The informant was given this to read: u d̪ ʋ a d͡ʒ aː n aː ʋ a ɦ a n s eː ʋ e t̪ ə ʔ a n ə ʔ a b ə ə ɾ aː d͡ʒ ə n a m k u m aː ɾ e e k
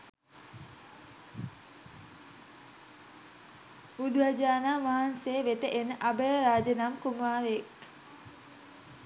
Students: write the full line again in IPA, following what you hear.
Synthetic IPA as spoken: u d̪ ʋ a d͡ʒ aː n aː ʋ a ɦ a n s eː ʋ e t̪ ə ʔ e n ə ʔ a b ə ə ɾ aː d͡ʒ ə n a m k u m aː ɾ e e k